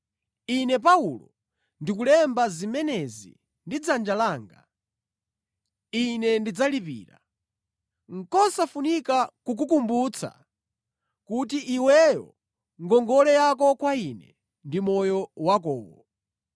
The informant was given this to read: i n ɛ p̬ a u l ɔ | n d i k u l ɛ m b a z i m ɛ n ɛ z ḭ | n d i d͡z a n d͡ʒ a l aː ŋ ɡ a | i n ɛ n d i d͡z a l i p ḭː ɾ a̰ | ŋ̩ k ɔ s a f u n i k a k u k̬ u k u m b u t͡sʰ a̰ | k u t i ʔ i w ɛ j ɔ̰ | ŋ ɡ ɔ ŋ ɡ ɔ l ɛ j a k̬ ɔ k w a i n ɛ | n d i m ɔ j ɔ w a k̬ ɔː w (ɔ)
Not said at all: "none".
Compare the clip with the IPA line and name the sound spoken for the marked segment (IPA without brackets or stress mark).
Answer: ɔ